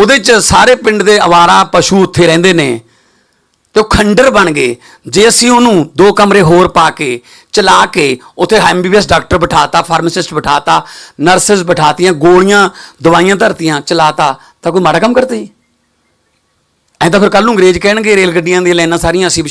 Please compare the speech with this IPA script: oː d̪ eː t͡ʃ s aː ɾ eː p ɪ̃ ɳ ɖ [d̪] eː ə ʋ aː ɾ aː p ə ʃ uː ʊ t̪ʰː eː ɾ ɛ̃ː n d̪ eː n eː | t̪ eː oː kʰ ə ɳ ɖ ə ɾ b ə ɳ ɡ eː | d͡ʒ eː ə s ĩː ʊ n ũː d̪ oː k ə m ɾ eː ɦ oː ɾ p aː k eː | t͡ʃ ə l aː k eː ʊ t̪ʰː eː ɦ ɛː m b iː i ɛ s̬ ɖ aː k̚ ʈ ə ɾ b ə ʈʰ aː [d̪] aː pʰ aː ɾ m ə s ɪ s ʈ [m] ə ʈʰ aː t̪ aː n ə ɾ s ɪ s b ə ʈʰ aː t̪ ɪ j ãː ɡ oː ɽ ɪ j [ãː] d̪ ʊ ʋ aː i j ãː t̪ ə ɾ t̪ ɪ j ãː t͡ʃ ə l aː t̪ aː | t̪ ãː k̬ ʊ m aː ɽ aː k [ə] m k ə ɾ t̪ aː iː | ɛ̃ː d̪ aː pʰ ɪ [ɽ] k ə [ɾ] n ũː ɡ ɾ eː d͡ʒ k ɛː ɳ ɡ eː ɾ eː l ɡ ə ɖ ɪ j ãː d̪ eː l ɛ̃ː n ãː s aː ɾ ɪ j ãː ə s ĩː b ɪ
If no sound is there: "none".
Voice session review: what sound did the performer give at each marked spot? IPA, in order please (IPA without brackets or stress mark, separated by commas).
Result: d̪, t̪, b, ãː, ə, ɾ, l